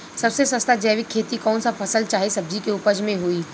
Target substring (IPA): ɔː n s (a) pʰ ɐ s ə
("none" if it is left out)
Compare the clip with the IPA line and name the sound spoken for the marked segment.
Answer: a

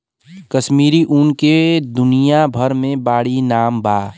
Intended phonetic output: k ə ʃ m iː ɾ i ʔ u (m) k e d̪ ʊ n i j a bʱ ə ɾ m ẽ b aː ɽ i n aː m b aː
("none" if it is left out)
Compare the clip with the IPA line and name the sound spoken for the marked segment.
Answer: n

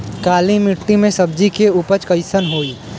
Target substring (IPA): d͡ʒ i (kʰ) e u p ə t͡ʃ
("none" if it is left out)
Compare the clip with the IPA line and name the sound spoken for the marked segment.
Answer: k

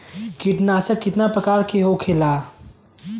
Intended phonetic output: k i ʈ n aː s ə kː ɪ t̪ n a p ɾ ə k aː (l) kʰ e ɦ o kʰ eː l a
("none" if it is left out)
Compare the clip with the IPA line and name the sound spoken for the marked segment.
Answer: ɾ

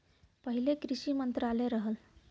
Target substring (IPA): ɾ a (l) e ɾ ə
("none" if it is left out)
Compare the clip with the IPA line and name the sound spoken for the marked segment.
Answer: l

